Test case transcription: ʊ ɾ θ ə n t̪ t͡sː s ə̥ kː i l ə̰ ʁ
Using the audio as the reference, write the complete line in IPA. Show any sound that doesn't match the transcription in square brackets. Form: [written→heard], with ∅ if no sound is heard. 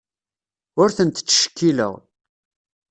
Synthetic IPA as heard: ʊ ɾ θ ə n t̪ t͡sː [s→ʃ] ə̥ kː i l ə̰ ʁ